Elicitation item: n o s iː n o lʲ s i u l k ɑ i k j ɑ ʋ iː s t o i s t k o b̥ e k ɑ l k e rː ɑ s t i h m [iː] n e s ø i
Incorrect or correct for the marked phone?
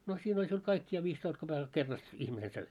incorrect: i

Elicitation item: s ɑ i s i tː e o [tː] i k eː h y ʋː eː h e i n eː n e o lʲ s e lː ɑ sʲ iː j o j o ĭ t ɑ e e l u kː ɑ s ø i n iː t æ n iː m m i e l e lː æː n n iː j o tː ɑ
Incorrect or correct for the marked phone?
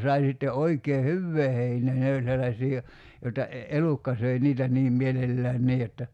incorrect: none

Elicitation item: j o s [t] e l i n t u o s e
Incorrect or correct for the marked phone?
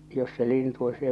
incorrect: s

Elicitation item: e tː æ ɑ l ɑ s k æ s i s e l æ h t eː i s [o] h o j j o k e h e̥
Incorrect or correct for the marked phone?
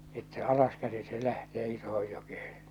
correct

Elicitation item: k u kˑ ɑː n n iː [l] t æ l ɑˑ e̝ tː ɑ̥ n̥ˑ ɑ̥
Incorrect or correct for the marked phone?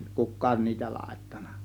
incorrect: none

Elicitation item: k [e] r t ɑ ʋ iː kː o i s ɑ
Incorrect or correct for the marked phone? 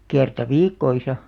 correct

